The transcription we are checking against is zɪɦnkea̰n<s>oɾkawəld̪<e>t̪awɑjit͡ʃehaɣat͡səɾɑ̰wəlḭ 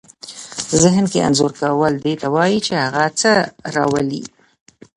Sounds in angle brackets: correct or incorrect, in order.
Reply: incorrect: z, correct

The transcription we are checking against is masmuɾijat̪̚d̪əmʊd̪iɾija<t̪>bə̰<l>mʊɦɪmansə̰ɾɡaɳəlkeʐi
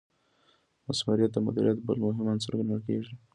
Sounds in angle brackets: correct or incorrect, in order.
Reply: correct, correct

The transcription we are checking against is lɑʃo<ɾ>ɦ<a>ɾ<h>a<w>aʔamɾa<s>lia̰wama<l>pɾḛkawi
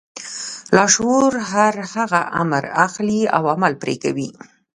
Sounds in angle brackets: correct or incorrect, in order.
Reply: correct, correct, correct, incorrect: ɣ, incorrect: x, correct

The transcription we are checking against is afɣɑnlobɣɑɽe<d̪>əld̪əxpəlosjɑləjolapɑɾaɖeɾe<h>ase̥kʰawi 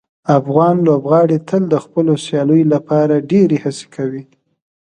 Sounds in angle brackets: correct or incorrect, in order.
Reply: incorrect: t̪, correct

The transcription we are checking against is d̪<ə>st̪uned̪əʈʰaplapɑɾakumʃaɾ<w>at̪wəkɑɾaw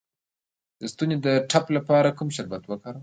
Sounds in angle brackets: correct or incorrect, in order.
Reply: correct, incorrect: b

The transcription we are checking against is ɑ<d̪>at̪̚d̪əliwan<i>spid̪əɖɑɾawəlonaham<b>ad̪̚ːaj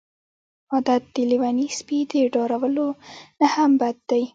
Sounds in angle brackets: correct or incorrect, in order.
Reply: correct, correct, correct

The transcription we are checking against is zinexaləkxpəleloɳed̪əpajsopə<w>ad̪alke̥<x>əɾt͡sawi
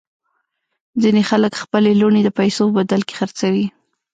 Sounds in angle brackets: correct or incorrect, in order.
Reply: incorrect: b, correct

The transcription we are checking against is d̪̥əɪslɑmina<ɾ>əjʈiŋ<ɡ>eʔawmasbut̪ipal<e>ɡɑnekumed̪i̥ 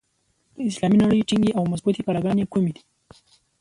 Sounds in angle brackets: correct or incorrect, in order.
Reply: incorrect: ɽ, correct, incorrect: a

